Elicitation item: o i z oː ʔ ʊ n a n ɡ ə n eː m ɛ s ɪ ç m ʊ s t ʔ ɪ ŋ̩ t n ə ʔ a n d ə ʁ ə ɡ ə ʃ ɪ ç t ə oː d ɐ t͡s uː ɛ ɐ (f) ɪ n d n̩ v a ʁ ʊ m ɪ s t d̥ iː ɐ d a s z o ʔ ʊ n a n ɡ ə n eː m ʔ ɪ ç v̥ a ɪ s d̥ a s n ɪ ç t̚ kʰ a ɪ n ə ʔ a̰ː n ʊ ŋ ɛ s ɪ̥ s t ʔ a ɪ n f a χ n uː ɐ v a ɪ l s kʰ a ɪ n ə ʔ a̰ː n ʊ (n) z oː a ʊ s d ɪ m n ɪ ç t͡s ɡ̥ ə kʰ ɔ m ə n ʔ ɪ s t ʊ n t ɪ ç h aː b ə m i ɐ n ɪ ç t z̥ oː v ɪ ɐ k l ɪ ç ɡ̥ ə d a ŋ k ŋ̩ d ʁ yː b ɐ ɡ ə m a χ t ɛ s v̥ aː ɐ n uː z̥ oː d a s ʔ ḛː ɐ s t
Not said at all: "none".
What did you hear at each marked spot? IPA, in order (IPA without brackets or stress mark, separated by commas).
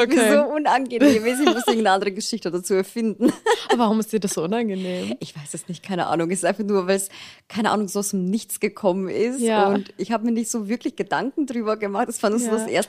f, ŋ